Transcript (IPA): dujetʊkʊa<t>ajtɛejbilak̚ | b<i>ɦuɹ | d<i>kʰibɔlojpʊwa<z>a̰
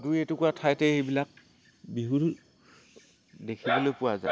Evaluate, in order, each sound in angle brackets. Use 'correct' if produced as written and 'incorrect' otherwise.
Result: incorrect: tʰ, correct, incorrect: e, correct

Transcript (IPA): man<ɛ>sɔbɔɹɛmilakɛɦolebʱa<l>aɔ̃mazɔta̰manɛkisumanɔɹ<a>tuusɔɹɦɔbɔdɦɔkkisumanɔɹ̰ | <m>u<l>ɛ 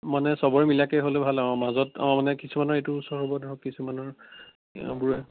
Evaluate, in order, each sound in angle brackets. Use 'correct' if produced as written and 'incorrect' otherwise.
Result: correct, correct, incorrect: e, incorrect: b, incorrect: ɹ

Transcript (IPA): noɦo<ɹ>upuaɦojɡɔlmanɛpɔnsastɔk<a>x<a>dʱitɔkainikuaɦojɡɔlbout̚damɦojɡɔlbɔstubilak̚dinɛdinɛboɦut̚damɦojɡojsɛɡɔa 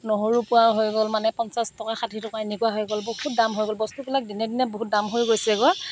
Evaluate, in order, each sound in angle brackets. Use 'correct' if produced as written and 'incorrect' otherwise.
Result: correct, correct, correct

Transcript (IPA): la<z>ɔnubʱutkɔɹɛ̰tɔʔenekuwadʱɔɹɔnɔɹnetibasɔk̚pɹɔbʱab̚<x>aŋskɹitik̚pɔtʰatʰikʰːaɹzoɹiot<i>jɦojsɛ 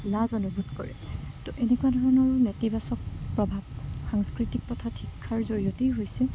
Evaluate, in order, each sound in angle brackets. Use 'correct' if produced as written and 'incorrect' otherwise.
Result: correct, correct, incorrect: e

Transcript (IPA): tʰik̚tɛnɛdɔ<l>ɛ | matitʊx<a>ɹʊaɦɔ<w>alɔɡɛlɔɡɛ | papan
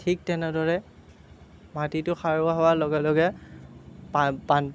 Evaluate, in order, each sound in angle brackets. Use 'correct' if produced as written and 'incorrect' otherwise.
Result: incorrect: ɹ, correct, correct

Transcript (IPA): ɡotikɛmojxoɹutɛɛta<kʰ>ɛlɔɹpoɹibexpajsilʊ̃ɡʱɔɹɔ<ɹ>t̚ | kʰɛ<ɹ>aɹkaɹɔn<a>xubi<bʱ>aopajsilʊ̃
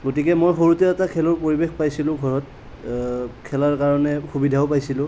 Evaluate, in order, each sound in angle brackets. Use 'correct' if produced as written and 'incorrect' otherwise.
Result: correct, incorrect: none, incorrect: l, incorrect: ɛ, incorrect: dʱ

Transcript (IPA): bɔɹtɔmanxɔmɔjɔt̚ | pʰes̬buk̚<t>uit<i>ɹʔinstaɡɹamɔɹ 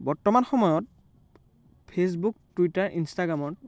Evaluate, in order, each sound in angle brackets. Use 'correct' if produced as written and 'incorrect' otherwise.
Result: correct, incorrect: a

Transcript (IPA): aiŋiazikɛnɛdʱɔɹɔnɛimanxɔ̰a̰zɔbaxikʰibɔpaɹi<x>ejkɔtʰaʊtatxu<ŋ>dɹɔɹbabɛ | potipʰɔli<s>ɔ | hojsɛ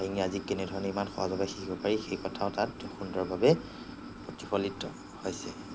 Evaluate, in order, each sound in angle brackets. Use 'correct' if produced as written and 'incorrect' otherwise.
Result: correct, incorrect: n, incorrect: t

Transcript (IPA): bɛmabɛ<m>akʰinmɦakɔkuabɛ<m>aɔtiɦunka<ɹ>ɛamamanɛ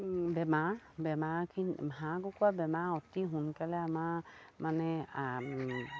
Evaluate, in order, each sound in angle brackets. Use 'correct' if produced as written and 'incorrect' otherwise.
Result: correct, correct, incorrect: l

